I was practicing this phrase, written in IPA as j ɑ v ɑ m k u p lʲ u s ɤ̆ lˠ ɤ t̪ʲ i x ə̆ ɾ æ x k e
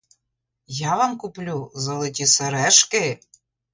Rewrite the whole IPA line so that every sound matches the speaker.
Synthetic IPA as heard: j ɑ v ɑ m k u p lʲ u z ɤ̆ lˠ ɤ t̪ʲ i s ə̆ ɾ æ ʃ k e